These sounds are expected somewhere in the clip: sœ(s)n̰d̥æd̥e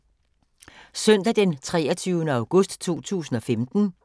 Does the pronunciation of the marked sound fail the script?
yes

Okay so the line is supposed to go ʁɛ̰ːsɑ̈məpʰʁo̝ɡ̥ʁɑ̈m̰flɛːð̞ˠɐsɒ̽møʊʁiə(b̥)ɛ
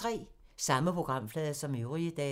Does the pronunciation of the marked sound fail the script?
yes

